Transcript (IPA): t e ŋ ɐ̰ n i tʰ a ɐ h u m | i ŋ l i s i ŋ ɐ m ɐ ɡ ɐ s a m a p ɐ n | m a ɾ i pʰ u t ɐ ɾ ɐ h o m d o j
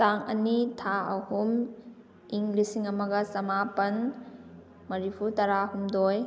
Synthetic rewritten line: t a ŋ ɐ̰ n i tʰ a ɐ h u m | i ŋ l i s i ŋ ɐ m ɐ ɡ ɐ s ɐ m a p ɐ n | m ɐ ɾ i pʰ u t ɐ ɾ a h u m d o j